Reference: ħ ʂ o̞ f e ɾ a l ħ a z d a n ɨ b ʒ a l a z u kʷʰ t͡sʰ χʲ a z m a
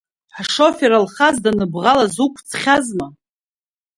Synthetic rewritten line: ħ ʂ o̞ f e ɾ a l χ a z d a n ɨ b ʁ a l a z u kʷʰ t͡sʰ χʲ a z m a